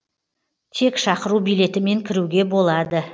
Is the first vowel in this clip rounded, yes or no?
no